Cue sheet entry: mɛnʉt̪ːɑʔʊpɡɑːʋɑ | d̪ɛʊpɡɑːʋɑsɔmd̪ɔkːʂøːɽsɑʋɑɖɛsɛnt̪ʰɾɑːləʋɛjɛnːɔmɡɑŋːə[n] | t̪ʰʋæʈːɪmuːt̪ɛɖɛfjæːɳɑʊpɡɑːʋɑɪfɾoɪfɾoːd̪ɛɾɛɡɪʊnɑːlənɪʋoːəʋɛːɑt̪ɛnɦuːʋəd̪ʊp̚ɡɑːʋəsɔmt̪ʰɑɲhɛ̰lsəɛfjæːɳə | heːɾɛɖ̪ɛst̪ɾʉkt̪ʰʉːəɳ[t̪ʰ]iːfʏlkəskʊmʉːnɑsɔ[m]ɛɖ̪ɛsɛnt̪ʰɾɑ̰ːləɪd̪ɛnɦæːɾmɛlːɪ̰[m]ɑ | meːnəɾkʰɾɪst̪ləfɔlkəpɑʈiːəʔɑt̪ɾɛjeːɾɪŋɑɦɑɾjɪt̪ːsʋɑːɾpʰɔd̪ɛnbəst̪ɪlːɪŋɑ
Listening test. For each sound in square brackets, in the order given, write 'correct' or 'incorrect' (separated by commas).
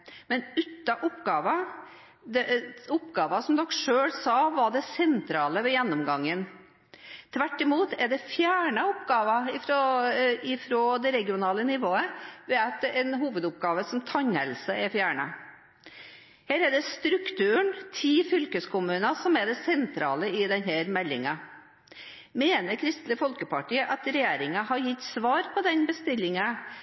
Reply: correct, correct, correct, incorrect